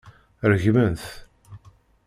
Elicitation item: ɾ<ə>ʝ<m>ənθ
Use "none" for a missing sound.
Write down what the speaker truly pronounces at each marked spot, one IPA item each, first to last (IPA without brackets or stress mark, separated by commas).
ə, m